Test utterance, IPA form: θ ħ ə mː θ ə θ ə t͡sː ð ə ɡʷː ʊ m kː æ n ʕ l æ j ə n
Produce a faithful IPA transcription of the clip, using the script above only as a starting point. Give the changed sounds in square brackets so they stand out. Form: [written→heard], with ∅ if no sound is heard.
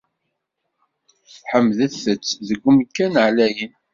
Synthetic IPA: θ ħ ə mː [θ→ð] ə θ ə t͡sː ð ə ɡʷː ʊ m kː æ n ʕ l æ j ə n